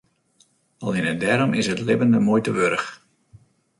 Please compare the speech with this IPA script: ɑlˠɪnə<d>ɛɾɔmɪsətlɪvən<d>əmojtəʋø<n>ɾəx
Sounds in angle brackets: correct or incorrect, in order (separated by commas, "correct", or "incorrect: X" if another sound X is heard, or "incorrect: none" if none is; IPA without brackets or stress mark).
correct, correct, incorrect: none